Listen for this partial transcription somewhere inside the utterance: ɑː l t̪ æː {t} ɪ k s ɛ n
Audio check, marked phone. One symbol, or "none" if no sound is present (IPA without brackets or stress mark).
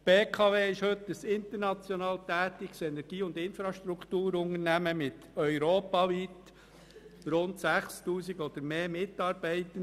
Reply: t